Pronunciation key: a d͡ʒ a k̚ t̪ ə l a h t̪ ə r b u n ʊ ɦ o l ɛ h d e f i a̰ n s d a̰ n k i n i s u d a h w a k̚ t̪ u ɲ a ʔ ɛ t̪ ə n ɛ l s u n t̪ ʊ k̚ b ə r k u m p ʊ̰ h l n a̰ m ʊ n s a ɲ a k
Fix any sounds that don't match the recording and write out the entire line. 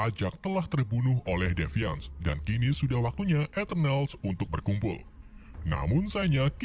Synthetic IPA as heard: a d͡ʒ a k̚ t̪ ə l a h t̪ ə r b u n ʊ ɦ o l ɛ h d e f i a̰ n s d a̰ n k i n i s u d a h w a k̚ t̪ u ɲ a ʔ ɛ t̪ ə n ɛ l s u n t̪ ʊ k̚ b ə r k u m p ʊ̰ l n a̰ m ʊ n s a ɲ a k